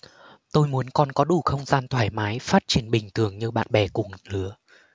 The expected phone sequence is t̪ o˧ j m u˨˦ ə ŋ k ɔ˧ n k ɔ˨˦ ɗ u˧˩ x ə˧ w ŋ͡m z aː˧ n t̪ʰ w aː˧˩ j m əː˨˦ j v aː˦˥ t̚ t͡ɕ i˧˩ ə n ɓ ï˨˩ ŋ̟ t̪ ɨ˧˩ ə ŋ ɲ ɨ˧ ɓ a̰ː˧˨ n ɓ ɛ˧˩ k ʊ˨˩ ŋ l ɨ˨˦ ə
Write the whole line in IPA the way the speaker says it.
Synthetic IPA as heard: t̪ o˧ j m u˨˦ ə n k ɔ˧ n k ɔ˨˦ ɗ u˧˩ x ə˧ w ŋ͡m z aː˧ n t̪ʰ w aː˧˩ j m aː˨˦ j f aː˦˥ t̚ t͡ɕ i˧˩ ə n ɓ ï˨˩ ŋ̟ t̪ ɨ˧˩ ə ŋ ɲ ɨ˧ ɓ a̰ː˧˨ n ɓ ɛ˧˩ k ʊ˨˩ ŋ l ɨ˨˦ ə